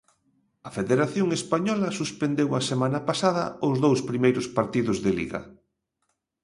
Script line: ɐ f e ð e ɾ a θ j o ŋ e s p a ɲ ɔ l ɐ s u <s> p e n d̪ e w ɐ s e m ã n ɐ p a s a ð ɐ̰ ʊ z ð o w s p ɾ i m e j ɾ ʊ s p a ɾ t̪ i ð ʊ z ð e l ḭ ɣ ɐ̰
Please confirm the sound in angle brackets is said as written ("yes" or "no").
yes